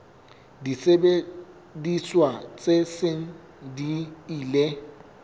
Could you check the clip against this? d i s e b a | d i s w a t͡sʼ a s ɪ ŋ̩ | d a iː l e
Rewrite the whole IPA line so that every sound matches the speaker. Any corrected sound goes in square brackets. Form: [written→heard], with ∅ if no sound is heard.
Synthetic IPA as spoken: d i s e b [a→e] | d i s w a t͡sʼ [a→e] s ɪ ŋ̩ | d [a→i] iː l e